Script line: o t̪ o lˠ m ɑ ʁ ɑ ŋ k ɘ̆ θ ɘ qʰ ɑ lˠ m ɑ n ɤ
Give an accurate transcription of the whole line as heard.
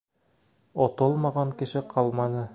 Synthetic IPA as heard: o t̪ o lˠ m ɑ ʁ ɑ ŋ k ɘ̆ ʃ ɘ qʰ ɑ lˠ m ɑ n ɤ